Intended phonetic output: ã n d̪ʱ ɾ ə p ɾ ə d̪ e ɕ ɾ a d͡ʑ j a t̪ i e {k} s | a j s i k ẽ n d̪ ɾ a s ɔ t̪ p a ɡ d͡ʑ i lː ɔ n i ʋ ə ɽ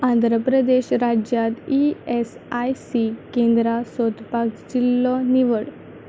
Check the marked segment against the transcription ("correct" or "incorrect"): incorrect